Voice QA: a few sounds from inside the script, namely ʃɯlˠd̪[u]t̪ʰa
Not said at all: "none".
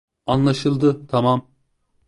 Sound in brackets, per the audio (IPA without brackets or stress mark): ɯ